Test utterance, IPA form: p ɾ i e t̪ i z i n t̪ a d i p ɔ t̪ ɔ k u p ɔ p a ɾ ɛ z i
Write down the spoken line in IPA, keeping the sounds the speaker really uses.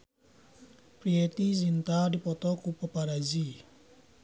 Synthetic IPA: p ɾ i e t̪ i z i n t̪ a d i p ɔ t̪ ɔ k u p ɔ p a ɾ a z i